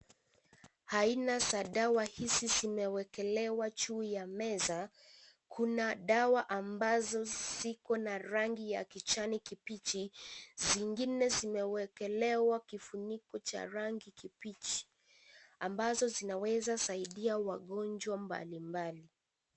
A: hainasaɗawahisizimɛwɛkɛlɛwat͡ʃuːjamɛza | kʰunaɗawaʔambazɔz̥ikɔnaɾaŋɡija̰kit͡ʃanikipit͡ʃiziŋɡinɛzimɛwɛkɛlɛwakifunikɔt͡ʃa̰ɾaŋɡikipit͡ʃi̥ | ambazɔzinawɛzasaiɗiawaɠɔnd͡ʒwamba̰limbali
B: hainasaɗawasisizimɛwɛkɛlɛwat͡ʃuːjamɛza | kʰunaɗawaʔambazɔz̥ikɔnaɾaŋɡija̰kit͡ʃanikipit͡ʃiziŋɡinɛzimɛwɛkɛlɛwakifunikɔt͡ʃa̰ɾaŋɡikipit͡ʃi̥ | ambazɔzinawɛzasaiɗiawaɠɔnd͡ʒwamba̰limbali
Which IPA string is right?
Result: A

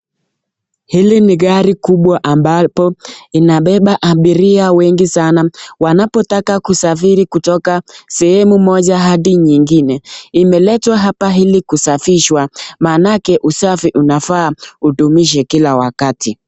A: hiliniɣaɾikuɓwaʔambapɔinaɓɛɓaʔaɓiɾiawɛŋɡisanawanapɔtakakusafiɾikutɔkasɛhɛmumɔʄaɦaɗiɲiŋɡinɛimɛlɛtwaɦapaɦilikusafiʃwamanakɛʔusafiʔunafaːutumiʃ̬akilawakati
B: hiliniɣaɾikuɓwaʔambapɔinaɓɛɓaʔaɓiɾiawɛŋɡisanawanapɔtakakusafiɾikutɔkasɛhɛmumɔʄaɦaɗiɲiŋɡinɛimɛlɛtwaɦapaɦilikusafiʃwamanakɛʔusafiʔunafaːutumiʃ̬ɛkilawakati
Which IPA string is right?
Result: B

